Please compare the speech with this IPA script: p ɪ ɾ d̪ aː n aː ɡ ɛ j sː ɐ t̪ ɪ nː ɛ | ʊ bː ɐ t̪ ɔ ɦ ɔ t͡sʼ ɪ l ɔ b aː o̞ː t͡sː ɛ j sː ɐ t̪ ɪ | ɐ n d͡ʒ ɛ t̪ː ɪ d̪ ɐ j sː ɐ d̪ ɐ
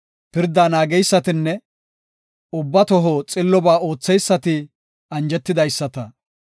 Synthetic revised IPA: p ɪ ɾ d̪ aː n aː ɡ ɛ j sː ɐ t̪ ɪ nː ɛ | ʊ bː ɐ t̪ ɔ ɦ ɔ t͡sʼ ɪ lː ɔ b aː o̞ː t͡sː ɛ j sː ɐ t̪ ɪ | ɐ n d͡ʒ ɛ t̪ː ɪ d̪ ɐ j sː ɐ t̪ ɐ